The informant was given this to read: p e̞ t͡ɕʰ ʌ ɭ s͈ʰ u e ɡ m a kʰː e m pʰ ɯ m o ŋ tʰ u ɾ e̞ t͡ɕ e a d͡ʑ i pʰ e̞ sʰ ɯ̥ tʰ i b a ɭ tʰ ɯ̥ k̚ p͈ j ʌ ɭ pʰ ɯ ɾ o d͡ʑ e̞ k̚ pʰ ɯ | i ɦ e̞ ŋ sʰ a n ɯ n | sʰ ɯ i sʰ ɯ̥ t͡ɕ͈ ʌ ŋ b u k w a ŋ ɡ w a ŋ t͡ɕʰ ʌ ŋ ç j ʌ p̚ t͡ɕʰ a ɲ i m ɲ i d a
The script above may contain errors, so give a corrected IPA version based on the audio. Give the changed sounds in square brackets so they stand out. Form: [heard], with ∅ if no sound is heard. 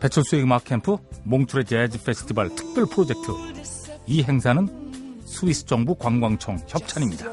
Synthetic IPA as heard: p e̞ t͡ɕʰ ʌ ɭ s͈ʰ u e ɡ m a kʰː e m pʰ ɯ m o ŋ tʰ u ɾ e̞ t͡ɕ e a d͡ʑ i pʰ e̞ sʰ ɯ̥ tʰ i b a ɭ tʰ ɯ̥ k̚ p͈ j ʌ ɭ pʰ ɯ ɾ o d͡ʑ e̞ k̚ [tʰ] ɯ | i ɦ e̞ ŋ sʰ a n ɯ n | sʰ [u] i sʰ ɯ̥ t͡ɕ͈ ʌ ŋ b u k w a ŋ ɡ w a ŋ t͡ɕʰ ʌ ŋ ç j ʌ p̚ t͡ɕʰ a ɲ i m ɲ i d a